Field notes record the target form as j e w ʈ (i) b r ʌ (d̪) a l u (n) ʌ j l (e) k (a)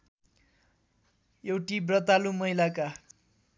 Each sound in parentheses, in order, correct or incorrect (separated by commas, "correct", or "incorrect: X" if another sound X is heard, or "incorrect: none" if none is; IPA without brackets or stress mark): correct, incorrect: t̪, incorrect: m, incorrect: a, correct